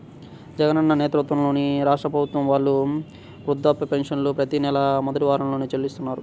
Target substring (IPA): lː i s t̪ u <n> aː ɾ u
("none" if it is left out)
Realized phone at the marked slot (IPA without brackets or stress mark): nː